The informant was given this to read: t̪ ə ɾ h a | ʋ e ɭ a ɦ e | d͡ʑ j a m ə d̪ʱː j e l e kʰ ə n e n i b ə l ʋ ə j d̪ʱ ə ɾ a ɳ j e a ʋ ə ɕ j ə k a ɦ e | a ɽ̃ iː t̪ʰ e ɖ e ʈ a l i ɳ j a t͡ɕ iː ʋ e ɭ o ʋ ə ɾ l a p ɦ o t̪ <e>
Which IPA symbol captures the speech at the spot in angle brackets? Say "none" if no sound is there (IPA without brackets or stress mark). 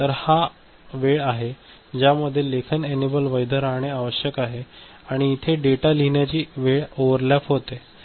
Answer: e